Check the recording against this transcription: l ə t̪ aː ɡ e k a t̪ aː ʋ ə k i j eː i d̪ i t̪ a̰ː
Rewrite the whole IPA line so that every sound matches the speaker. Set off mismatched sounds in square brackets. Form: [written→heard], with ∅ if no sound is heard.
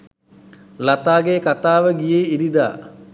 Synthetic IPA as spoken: l [ə→a] t̪ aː ɡ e k a t̪ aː ʋ ə [k→ɡ] i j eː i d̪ i [t̪→d̪] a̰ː